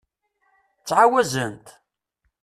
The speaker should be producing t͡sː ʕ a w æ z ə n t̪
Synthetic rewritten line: t͡sː ʕ a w æ z ə n t̪